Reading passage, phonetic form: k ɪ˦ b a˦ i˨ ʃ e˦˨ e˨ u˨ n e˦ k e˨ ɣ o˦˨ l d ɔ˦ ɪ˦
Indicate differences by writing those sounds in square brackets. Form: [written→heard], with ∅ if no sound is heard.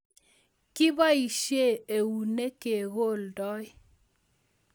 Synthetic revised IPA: k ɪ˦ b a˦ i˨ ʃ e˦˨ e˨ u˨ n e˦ k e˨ ɣ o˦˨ l d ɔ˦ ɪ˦